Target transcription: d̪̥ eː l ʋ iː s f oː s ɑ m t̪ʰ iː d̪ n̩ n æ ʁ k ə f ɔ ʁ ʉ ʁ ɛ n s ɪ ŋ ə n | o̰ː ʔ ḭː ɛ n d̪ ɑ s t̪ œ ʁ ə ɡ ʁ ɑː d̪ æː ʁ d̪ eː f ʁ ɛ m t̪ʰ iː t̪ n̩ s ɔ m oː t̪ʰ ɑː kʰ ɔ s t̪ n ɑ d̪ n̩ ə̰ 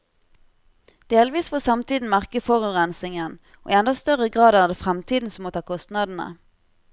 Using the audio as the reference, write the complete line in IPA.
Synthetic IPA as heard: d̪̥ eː l ʋ iː s f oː s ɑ m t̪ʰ iː d̪ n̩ m æ ʁ k ə f ɔ ʁ ʉ ʁ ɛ n s ɪ ŋ ə n | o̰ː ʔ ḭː ɛ n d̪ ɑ s t̪ œ ʁ ə ɡ ʁ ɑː d̪ æː ʁ d̪ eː f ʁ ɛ m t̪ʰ iː d̪ n̩ s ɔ m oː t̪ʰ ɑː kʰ ɔ s t̪ n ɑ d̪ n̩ ə̰